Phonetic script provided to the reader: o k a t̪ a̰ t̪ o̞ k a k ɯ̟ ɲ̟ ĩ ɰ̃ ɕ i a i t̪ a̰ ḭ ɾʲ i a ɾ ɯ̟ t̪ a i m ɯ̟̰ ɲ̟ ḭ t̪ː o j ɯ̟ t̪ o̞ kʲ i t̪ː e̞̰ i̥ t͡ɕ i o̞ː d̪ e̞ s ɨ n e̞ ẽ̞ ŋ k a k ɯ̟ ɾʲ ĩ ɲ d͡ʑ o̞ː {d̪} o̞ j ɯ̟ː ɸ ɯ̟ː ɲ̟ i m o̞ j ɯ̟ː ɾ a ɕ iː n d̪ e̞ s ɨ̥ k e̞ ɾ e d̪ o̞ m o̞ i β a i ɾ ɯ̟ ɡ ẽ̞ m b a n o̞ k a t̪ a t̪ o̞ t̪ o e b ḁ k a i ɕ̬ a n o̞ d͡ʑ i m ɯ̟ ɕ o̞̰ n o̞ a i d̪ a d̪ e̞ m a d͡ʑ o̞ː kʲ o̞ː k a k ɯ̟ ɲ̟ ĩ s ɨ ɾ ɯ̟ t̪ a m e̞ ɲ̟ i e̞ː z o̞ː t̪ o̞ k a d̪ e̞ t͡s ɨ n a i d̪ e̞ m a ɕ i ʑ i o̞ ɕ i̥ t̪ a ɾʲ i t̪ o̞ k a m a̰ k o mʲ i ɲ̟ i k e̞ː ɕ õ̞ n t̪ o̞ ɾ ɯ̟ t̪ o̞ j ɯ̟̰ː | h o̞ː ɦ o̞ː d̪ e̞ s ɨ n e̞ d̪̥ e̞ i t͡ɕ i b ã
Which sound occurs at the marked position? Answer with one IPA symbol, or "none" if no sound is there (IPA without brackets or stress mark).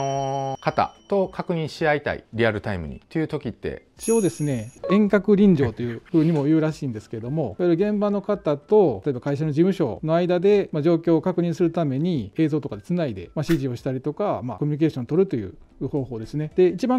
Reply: t̪